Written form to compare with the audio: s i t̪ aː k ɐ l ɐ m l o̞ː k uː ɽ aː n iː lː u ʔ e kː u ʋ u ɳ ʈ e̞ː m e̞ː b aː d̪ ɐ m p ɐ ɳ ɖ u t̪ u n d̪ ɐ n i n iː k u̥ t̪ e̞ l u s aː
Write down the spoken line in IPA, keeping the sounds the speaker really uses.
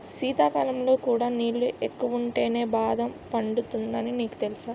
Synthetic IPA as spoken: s iː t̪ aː k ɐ l ɐ m l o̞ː k uː ɽ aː n iː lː u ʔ e kː u ʋ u ɳ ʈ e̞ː n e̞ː b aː d̪ ɐ m p ɐ ɳ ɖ u t̪ u n d̪ ɐ n i n iː k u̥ t̪ e̞ l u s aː